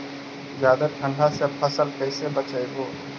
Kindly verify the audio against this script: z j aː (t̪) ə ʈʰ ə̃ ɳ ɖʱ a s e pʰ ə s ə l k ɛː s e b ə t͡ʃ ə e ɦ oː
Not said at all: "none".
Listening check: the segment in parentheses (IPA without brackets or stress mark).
d̪